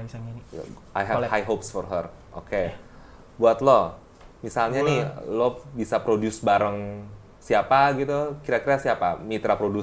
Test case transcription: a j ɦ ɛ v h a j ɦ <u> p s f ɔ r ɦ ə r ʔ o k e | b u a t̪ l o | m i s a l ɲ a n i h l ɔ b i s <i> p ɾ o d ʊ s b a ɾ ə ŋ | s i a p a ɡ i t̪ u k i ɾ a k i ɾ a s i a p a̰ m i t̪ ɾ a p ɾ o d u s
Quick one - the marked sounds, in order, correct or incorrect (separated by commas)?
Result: incorrect, incorrect